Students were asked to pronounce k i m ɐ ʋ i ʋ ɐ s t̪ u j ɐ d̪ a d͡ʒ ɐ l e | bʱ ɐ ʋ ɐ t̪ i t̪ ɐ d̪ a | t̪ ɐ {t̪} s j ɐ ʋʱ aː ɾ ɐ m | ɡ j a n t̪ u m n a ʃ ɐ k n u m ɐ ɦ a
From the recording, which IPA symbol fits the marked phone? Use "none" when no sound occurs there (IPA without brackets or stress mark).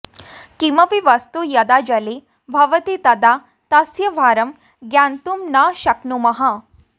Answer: none